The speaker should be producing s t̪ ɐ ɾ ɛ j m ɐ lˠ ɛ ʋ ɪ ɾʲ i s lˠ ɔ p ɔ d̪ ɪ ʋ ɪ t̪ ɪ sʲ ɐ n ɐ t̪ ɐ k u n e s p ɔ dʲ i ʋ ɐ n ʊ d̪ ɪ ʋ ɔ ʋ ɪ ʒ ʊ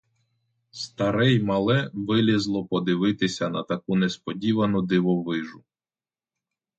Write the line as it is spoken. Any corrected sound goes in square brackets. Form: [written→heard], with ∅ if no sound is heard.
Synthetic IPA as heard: s t̪ ɐ ɾ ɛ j m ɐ lˠ ɛ ʋ ɪ [ɾʲ→lʲ] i [s→z] lˠ ɔ p ɔ d̪ ɪ ʋ ɪ t̪ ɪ sʲ ɐ n ɐ t̪ ɐ k u n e s p ɔ dʲ i ʋ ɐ n ʊ d̪ ɪ ʋ ɔ ʋ ɪ ʒ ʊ